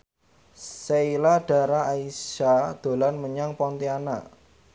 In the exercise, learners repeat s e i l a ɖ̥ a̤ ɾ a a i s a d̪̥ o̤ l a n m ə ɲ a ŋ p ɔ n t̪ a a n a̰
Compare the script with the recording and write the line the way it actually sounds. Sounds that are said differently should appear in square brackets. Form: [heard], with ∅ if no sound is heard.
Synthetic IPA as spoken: s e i l a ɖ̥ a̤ ɾ a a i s a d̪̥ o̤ l a n m ə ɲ a ŋ p ɔ n t̪ [i] a n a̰